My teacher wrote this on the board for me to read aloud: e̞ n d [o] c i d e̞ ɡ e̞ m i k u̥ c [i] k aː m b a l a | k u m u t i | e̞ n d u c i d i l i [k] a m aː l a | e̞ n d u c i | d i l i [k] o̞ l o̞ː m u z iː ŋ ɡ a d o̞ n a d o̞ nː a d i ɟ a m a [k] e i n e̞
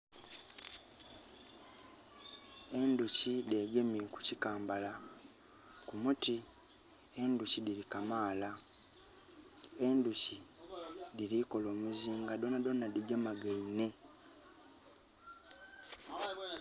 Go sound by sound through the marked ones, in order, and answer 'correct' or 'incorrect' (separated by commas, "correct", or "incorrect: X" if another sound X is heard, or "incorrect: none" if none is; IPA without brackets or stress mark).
incorrect: u, correct, correct, correct, incorrect: ɡ